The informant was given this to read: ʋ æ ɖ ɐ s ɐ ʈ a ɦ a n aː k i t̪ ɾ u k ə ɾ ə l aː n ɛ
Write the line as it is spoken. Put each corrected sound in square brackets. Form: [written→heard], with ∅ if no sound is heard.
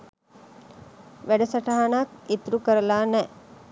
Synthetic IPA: ʋ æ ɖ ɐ s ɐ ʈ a ɦ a n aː k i t̪ ɾ u k ə ɾ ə l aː n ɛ